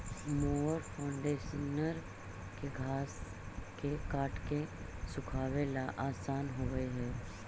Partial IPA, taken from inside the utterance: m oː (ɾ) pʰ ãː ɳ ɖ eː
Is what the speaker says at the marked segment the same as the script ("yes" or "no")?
yes